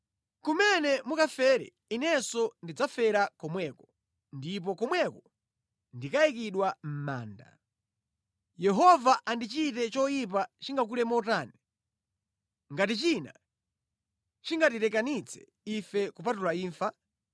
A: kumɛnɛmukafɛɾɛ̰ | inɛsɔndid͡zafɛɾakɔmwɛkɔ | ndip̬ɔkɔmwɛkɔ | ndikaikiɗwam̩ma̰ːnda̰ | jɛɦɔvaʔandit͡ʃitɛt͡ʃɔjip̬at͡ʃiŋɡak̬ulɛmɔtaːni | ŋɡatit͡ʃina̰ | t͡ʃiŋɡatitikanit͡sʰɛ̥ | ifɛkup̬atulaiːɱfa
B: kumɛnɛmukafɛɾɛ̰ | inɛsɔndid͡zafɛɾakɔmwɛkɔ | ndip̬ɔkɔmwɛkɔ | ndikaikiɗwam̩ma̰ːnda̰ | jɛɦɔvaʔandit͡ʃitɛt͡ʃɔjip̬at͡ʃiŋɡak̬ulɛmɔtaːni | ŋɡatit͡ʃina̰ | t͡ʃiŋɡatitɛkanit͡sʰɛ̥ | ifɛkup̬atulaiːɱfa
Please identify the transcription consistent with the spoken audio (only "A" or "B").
B